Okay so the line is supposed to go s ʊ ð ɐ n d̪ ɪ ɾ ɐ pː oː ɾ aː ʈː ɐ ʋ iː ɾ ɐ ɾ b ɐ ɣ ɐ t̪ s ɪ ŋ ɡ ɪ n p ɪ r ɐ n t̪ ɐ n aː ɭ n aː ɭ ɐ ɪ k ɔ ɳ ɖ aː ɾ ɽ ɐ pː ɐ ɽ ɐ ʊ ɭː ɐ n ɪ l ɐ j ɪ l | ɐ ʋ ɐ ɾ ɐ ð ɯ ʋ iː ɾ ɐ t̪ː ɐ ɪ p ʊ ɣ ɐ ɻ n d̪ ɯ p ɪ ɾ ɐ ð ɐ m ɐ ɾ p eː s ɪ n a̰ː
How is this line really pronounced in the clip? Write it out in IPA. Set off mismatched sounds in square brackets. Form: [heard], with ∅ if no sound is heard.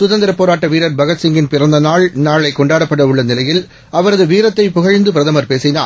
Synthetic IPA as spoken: s ʊ ð ɐ n d̪ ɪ ɾ ɐ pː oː ɾ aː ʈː ɐ ʋ iː ɾ ɐ ɾ b ɐ ɣ ɐ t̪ s ɪ ŋ ɡ ɪ n p ɪ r ɐ n [d̪] ɐ n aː ɭ n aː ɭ ɐ ɪ k ɔ ɳ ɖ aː [∅] ɽ ɐ pː ɐ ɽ ɐ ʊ ɭː ɐ n ɪ l ɐ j ɪ l | ɐ ʋ ɐ ɾ ɐ ð ɯ ʋ iː ɾ ɐ t̪ː ɐ ɪ p ʊ ɣ ɐ ɻ n d̪ ɯ p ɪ ɾ ɐ ð ɐ m ɐ ɾ p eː s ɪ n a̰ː